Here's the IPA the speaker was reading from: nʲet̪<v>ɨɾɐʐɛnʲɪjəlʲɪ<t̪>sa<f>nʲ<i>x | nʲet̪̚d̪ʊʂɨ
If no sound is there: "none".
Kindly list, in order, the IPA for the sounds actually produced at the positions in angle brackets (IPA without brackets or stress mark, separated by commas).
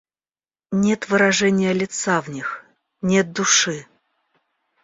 v, t̪, v, i